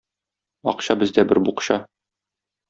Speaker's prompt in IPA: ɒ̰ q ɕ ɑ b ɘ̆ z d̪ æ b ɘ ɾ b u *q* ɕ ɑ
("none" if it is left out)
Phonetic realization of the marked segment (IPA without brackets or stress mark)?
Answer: q